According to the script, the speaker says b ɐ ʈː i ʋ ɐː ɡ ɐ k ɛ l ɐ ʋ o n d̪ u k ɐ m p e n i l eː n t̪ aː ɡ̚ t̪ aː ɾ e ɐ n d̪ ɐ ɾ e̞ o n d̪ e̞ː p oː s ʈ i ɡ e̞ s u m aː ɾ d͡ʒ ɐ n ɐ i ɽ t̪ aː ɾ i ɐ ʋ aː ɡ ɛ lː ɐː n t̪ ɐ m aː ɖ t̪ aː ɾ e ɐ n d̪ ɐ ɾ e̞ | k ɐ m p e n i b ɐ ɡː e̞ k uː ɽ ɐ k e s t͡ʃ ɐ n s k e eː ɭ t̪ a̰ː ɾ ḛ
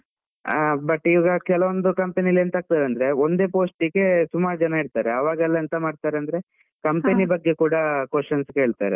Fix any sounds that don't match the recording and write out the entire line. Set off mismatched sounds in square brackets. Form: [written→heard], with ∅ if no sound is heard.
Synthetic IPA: b ɐ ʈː i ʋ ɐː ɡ ɐ k ɛ l ɐ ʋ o n d̪ u k ɐ m p e n i l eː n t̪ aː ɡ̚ t̪ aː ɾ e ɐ n d̪ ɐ ɾ e̞ o n d̪ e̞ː p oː s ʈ i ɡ e̞ s u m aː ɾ d͡ʒ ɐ n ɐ i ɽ t̪ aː ɾ [i→e] ɐ ʋ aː ɡ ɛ lː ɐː n t̪ ɐ m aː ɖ t̪ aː ɾ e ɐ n d̪ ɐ ɾ e̞ | k ɐ m p e n i b ɐ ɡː e̞ k uː ɽ ɐ k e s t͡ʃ ɐ n s k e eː ɭ t̪ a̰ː ɾ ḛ